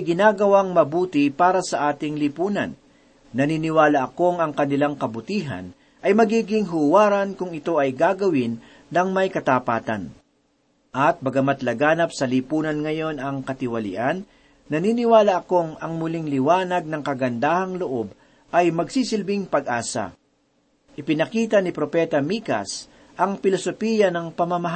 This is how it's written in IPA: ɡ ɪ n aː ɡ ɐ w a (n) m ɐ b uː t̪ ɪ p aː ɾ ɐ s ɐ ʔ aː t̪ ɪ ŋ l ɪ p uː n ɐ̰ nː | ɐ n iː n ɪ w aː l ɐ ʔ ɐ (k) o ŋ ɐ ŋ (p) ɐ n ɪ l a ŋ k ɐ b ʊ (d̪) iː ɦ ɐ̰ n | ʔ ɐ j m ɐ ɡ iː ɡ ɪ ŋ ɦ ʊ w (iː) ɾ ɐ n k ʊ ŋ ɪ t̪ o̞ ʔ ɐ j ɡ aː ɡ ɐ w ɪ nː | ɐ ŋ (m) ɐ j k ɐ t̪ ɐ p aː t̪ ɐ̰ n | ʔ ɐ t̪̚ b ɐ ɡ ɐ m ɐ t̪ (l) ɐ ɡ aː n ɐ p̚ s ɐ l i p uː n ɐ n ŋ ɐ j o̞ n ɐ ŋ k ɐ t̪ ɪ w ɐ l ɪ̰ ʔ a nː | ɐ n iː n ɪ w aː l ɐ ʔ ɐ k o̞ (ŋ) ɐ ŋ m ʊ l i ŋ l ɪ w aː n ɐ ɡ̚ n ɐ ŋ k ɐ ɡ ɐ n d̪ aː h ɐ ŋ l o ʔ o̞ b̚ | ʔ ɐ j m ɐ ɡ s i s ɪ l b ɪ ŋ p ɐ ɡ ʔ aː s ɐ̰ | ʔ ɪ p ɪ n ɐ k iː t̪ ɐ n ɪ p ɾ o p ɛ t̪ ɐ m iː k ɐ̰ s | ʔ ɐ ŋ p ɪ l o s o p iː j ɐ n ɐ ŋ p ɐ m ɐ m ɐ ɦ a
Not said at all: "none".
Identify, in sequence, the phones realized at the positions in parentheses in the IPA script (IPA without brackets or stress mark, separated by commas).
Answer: ŋ, k, k, t̪, aː, m, l, ŋ